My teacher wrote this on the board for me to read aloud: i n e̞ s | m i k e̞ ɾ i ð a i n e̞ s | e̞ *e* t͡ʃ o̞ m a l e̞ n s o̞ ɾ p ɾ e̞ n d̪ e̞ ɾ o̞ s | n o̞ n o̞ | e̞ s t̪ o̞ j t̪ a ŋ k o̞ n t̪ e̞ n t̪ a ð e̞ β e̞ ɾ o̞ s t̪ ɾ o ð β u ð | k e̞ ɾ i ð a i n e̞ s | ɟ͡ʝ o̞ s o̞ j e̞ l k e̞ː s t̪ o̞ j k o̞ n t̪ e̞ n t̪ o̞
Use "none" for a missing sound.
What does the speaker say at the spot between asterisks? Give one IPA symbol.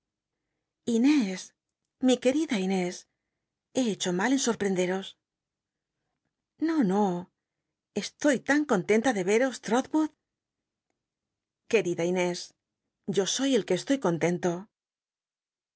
e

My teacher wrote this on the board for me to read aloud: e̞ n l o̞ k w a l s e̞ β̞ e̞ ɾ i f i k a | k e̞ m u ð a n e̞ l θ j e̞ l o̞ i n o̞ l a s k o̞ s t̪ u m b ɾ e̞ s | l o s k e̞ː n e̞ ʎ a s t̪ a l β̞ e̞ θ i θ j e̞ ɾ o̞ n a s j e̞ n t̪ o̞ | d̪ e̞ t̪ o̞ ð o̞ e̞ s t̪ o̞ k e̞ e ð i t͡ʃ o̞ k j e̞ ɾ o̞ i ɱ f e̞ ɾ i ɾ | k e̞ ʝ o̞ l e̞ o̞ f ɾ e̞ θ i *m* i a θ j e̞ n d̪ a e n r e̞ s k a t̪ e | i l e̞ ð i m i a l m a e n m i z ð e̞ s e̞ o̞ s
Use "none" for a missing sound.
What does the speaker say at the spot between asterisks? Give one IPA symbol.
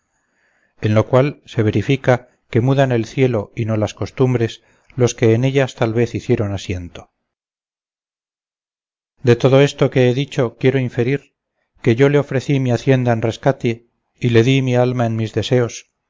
m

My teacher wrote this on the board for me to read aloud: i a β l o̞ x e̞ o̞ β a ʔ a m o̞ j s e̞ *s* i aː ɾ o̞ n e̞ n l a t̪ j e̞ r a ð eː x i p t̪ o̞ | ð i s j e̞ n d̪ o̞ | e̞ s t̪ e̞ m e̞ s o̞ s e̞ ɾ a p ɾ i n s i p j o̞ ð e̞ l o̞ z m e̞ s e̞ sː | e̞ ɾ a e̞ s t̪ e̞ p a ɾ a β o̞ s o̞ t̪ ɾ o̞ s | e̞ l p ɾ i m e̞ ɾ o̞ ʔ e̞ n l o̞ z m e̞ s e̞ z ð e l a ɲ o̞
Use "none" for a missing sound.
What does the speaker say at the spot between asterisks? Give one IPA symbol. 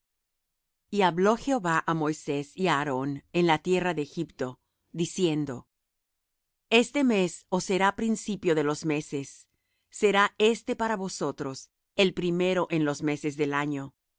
s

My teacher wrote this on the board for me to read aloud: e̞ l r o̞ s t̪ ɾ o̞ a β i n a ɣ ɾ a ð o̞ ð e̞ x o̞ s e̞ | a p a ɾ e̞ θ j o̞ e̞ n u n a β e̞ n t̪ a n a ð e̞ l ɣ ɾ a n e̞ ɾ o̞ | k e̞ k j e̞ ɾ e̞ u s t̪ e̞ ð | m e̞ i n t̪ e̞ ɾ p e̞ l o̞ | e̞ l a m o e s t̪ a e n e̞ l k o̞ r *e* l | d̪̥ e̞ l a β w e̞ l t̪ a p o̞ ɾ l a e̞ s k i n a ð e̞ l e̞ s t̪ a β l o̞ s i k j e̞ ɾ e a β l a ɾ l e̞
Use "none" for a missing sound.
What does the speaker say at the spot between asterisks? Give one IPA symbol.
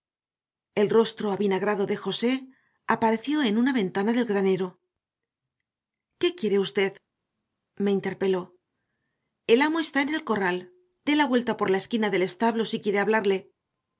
a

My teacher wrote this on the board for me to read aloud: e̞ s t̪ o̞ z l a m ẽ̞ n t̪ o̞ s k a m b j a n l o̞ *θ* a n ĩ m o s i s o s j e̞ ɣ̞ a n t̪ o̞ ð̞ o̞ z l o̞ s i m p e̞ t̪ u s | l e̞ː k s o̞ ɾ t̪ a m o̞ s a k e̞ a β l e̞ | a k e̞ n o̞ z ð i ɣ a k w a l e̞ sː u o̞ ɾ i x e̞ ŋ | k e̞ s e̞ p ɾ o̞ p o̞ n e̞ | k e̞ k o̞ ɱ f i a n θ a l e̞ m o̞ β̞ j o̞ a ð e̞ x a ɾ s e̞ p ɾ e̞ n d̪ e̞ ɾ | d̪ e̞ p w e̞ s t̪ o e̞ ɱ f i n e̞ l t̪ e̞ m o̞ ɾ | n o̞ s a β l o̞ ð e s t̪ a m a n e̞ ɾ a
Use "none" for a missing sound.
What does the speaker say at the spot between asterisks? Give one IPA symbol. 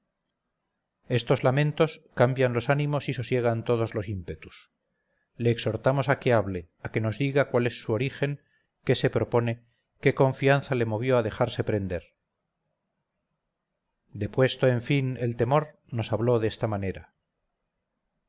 s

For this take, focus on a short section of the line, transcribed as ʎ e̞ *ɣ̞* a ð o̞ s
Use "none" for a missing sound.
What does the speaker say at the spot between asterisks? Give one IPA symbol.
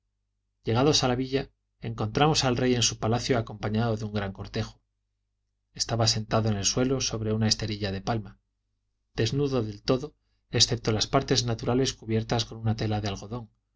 ɣ̞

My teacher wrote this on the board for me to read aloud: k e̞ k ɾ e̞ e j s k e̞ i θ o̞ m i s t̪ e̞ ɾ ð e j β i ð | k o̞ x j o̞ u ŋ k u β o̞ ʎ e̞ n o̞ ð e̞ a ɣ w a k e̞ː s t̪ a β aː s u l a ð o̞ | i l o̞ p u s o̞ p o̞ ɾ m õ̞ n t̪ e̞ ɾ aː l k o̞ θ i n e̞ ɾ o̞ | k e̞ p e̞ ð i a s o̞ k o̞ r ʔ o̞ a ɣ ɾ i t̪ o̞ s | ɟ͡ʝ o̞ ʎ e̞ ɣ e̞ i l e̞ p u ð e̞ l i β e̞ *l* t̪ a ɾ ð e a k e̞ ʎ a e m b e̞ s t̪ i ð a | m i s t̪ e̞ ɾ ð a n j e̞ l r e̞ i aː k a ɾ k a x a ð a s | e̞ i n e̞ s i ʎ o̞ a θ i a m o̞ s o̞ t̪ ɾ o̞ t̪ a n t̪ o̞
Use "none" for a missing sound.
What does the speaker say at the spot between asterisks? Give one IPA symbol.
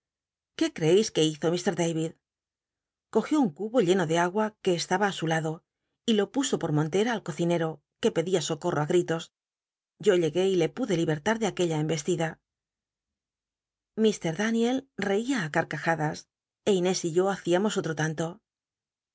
ɾ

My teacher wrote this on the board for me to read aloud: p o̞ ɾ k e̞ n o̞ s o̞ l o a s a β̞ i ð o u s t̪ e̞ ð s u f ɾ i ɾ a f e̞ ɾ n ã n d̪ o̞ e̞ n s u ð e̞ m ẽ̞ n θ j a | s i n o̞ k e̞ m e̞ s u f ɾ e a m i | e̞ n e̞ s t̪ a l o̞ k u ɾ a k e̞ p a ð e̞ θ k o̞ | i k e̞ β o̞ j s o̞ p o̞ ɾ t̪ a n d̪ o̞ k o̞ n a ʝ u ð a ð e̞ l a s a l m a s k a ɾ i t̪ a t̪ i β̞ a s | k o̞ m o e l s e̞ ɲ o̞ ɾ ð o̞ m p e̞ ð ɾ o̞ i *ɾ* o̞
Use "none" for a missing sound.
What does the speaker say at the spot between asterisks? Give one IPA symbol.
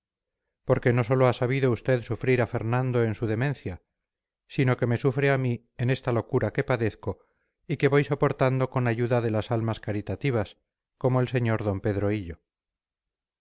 ʎ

